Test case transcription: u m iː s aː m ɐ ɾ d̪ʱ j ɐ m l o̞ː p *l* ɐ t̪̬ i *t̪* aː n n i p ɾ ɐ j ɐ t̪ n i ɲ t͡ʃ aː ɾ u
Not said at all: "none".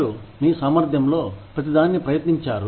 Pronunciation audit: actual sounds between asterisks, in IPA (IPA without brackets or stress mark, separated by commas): ɾ, d̪